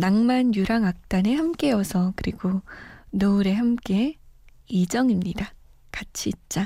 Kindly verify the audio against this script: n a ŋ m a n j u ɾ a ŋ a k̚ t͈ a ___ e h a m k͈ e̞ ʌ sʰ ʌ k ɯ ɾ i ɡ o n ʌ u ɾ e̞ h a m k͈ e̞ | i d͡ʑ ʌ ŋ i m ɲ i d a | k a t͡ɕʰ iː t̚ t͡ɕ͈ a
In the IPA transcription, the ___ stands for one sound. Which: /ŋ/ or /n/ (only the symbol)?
n